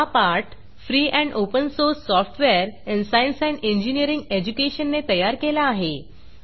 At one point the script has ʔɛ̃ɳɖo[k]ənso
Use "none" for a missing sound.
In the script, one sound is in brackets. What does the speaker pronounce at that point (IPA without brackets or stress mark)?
p